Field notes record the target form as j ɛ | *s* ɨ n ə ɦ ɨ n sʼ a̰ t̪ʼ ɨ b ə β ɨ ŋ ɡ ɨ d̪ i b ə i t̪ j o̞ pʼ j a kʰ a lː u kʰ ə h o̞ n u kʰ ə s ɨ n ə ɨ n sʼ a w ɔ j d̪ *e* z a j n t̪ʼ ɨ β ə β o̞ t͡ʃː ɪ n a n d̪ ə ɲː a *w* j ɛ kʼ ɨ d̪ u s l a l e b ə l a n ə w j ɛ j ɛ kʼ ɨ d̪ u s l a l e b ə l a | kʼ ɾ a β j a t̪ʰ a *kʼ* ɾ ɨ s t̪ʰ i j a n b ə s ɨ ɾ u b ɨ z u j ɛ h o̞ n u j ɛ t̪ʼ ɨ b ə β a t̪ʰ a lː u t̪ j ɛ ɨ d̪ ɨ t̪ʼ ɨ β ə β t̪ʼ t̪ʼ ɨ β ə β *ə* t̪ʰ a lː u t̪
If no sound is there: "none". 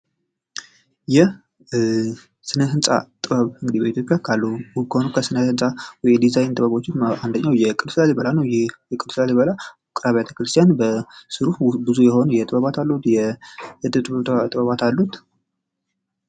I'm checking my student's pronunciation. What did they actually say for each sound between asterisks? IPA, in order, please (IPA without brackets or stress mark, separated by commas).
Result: s, i, w, k, a